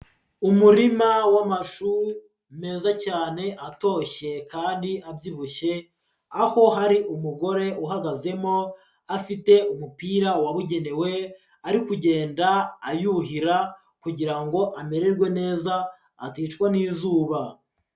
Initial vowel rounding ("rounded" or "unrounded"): rounded